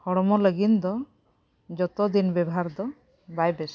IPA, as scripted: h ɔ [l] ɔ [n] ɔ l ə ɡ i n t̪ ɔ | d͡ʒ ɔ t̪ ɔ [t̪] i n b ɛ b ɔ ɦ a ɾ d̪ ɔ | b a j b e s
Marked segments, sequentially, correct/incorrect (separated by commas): incorrect, incorrect, incorrect